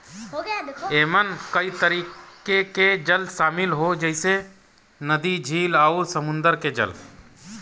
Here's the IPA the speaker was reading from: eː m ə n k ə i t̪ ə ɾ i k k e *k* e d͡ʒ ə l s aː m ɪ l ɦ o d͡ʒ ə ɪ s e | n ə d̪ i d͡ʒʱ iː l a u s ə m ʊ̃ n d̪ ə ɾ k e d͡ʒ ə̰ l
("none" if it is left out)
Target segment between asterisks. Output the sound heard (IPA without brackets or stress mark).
k